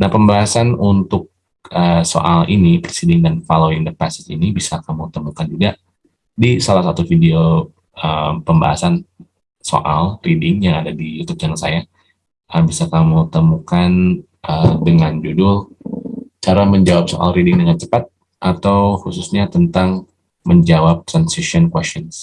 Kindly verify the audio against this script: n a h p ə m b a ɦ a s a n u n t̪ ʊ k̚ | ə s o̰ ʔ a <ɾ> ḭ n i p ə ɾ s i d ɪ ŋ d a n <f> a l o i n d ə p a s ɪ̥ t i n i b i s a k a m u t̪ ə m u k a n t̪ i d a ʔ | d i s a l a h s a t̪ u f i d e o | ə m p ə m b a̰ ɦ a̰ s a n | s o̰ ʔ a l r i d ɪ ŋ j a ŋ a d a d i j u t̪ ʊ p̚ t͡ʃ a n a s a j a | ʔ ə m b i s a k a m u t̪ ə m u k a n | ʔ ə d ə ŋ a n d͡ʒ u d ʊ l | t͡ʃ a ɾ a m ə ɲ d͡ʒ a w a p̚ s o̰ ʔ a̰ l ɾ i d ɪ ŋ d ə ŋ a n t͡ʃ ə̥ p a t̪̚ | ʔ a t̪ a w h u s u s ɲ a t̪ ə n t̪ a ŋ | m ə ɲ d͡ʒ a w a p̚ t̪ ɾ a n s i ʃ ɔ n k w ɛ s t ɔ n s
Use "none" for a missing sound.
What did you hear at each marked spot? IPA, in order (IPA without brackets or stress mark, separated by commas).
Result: l, f